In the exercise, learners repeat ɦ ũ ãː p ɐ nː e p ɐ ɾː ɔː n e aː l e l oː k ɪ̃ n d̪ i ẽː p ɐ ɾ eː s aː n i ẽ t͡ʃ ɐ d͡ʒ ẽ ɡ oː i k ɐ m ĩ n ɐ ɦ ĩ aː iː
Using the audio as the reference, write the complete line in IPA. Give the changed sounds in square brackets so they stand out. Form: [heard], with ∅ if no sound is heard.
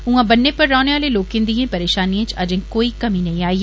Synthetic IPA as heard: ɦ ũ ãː [b] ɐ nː e p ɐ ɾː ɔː n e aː l e l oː k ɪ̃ n d̪ i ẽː p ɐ ɾ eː [ʃ] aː n i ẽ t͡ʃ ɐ d͡ʒ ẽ [k] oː i k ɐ m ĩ n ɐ ɦ ĩ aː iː